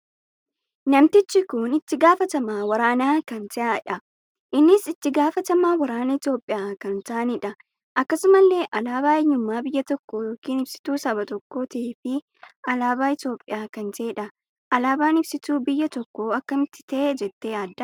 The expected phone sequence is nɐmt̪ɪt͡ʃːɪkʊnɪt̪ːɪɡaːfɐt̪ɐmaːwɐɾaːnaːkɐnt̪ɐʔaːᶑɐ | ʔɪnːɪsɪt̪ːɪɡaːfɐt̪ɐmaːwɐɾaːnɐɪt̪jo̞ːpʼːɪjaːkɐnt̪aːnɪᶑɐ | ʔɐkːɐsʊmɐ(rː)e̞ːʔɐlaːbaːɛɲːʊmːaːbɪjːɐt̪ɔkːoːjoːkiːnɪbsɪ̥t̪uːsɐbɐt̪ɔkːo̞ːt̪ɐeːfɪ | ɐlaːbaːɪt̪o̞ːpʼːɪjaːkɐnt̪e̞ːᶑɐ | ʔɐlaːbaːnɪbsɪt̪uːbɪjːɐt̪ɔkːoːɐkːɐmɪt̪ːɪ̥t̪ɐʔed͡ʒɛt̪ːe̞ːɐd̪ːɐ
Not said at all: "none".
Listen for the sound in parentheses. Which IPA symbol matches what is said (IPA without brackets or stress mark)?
lː